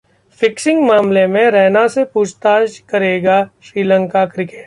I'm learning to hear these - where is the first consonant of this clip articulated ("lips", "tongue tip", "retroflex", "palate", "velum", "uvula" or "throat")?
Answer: lips